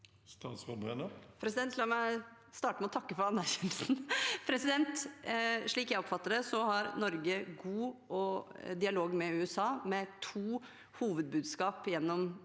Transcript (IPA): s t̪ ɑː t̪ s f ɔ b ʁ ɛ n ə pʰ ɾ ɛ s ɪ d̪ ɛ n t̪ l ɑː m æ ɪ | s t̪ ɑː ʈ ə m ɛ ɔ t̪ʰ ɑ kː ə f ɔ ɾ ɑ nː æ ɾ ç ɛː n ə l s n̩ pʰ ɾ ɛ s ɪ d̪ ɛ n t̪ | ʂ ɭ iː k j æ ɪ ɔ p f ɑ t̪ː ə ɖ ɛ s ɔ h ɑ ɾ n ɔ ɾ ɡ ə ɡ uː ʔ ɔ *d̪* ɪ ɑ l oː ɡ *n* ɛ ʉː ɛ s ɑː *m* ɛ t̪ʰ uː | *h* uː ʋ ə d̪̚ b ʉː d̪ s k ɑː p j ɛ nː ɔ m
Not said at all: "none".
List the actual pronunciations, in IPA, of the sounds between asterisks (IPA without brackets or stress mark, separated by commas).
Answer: d̪, m, m, h